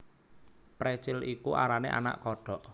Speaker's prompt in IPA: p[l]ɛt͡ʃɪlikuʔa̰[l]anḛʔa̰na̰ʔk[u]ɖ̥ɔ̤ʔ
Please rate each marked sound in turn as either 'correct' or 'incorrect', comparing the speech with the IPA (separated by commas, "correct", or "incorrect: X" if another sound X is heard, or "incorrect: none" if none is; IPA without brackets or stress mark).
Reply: incorrect: ɾ, incorrect: ɾ, incorrect: ɔ